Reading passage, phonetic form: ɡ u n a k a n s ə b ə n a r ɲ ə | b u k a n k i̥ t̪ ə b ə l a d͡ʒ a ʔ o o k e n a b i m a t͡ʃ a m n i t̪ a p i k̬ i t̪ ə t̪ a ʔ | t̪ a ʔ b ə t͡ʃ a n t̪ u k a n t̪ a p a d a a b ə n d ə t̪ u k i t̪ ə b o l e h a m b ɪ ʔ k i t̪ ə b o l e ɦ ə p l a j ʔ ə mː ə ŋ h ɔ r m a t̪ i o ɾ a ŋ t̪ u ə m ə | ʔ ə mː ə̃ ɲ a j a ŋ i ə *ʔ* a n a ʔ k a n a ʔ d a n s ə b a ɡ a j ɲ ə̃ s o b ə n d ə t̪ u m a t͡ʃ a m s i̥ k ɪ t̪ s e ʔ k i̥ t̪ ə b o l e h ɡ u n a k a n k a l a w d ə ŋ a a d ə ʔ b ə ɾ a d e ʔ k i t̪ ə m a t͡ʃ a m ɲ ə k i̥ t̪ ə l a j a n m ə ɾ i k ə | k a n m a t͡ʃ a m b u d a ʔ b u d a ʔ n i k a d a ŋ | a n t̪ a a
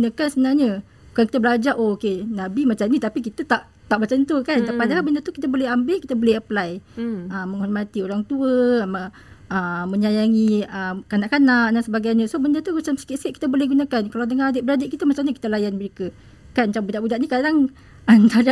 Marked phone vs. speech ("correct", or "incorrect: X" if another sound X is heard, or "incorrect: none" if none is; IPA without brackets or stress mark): incorrect: k